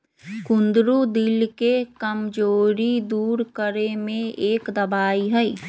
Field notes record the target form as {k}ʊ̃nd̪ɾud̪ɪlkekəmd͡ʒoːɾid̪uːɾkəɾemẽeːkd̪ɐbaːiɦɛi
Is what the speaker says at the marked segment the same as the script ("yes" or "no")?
yes